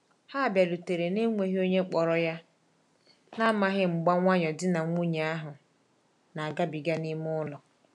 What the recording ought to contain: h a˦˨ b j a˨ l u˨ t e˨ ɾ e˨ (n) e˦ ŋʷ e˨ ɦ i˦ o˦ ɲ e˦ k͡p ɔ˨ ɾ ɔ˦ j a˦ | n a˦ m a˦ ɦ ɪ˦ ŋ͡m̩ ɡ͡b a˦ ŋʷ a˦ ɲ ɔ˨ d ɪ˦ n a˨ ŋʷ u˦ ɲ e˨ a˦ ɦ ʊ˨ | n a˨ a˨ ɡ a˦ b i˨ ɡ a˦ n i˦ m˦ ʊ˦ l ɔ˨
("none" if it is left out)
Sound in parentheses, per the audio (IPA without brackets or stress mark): n